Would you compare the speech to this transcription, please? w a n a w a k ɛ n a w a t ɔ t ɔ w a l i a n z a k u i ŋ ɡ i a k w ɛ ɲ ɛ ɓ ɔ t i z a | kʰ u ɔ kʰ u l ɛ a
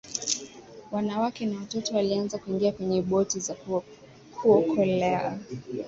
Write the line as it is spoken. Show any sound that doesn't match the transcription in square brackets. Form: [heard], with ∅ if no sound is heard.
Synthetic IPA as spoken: w a n a w a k ɛ n a w a t ɔ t ɔ w a l i a n z a k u i ŋ ɡ i a k w ɛ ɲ ɛ ɓ ɔ t i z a | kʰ u ɔ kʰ [ɔ] l ɛ a